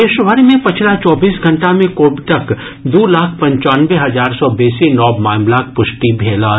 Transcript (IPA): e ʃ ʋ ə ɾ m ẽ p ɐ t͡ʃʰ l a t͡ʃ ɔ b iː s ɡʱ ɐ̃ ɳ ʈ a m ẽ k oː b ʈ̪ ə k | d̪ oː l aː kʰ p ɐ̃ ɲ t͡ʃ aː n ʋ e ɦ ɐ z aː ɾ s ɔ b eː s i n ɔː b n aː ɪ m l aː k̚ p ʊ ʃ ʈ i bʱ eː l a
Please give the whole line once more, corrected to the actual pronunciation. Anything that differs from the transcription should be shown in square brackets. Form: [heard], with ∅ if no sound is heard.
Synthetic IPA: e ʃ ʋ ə ɾ m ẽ p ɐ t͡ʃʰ l a t͡ʃ [ɔː] b iː s ɡʱ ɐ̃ ɳ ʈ a m ẽ k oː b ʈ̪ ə k | d̪ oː l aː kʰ p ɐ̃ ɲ t͡ʃ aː n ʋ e ɦ ɐ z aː ɾ s ɔ b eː s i n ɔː b [m] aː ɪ m l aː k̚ p ʊ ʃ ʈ i bʱ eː l a